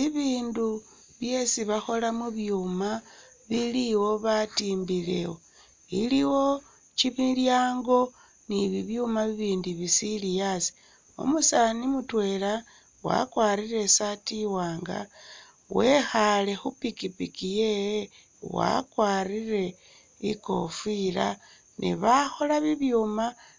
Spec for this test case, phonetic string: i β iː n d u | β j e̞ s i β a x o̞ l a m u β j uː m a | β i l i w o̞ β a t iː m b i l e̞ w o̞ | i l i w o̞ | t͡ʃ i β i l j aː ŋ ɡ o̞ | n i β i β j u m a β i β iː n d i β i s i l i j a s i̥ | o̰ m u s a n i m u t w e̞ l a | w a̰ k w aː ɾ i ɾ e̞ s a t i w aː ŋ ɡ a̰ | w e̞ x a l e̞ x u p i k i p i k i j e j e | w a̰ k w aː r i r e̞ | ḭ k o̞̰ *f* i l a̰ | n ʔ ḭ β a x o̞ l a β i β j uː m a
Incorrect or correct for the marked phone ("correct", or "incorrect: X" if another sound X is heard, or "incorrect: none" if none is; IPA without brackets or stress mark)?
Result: correct